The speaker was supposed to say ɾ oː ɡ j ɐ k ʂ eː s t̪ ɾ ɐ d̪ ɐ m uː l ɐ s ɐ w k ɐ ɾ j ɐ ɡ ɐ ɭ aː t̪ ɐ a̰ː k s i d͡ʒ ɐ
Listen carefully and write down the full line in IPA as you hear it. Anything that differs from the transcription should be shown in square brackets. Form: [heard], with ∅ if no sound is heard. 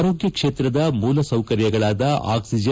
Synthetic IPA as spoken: ɾ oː ɡ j ɐ k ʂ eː [∅] t̪ ɾ ɐ d̪ ɐ m uː l ɐ s ɐ w k ɐ ɾ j ɐ ɡ ɐ ɭ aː [d̪] ɐ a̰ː k s i d͡ʒ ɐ